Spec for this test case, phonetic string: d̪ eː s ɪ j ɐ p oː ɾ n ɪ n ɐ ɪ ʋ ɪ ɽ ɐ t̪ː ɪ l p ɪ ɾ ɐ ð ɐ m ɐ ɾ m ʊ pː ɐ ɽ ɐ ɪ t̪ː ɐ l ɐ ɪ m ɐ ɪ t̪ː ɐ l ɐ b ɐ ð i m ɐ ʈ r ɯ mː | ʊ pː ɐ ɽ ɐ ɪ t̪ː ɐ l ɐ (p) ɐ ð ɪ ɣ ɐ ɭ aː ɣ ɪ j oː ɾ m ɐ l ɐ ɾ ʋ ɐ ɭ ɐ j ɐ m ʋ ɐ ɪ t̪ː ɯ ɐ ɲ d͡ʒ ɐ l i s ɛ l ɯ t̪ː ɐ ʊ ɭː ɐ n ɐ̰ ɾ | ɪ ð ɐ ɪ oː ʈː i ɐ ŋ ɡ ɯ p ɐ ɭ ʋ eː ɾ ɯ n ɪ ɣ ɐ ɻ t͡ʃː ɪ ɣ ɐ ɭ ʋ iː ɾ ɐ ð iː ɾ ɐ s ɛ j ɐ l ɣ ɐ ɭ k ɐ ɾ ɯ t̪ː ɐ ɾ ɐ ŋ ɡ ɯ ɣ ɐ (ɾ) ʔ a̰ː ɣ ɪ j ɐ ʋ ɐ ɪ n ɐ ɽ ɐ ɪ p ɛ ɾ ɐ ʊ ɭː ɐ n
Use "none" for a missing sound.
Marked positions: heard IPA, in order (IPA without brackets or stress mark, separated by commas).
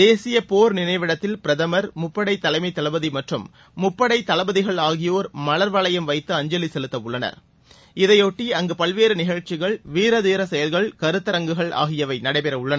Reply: b, ɭ